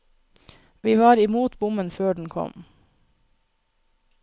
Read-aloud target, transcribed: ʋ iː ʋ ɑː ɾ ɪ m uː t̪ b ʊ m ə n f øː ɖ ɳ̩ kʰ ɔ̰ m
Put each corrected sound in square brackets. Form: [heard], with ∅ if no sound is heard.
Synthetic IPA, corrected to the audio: ʋ iː ʋ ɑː ɾ ɪ m uː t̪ b ʊ m ə n f øː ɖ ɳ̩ kʰ ɔ̰ m